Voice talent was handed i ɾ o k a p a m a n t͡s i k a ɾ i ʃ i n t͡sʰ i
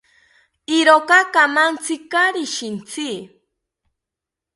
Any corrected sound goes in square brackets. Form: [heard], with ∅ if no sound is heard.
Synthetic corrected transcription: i ɾ o k a [k] a m a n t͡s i k a ɾ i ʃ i n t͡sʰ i